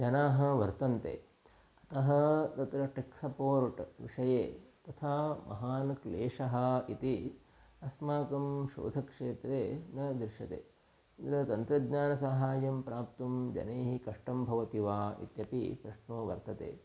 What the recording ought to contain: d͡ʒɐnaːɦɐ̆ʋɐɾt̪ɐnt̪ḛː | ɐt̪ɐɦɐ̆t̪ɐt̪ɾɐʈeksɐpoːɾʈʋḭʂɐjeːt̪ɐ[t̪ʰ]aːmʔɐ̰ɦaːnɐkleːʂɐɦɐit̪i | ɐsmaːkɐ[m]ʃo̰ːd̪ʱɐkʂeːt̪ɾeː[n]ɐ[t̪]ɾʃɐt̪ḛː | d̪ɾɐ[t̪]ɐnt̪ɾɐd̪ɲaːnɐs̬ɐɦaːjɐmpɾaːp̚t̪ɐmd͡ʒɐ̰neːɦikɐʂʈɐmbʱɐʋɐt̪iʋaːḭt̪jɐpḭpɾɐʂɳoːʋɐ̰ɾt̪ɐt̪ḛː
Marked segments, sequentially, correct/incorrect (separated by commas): correct, correct, correct, incorrect, correct